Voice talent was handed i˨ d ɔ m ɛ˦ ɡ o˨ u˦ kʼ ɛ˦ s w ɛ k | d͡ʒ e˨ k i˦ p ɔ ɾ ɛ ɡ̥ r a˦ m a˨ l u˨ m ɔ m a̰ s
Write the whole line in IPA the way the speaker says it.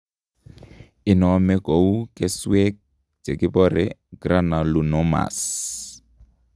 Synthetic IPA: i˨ n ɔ m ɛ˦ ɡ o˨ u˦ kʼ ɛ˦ s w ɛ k | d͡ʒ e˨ k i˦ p ɔ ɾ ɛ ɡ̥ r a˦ n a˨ l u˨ n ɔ m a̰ s